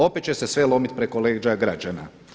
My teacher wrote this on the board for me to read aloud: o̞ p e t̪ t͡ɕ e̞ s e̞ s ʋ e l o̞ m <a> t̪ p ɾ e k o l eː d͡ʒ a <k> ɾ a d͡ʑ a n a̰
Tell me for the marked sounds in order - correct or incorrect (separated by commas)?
incorrect, incorrect